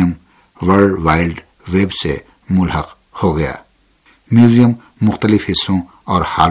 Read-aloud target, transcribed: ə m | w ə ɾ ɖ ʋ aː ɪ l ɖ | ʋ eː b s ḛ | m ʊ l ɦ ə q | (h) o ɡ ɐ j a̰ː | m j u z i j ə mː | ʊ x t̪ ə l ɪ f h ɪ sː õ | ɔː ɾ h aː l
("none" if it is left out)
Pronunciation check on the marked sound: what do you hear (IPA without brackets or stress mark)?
h